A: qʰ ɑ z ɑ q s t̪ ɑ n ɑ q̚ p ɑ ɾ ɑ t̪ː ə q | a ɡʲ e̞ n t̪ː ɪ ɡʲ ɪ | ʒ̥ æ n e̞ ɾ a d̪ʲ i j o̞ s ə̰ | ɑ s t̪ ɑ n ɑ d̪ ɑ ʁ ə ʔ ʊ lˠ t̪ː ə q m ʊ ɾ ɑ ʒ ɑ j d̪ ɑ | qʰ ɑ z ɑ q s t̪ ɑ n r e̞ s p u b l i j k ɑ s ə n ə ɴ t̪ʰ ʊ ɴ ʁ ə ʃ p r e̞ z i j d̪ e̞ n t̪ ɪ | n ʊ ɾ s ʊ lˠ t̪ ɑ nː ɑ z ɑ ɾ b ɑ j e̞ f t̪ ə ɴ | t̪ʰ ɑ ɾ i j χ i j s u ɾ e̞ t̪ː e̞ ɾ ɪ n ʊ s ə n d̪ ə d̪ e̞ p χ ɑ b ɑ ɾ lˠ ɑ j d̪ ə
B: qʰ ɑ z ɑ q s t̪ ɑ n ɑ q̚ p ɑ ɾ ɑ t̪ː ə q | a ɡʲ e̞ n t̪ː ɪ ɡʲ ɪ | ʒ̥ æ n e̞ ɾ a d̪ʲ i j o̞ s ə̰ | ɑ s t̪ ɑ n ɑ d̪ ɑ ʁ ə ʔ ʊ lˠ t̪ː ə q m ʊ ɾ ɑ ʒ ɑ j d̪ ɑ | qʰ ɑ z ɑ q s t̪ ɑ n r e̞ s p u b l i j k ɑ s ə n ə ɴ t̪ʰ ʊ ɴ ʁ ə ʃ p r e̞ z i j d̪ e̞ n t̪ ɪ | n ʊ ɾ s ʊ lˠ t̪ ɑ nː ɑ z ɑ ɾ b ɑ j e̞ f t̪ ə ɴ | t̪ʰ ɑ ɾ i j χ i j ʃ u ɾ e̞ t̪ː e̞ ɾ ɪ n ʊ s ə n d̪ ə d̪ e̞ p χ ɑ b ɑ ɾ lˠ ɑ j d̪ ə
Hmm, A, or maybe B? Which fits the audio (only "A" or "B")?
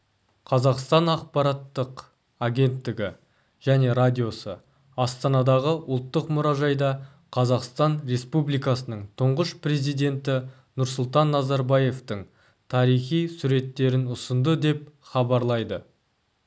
A